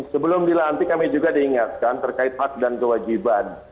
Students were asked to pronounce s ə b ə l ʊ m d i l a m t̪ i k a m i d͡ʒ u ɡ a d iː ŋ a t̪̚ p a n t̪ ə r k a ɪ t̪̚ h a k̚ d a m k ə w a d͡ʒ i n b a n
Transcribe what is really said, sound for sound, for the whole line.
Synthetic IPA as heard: s ə b ə l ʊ m d i l a n t̪ i k a m i d͡ʒ u ɡ a d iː ŋ a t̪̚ k a n t̪ ə r k a ɪ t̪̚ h a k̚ d a n k ə w a d͡ʒ i b a n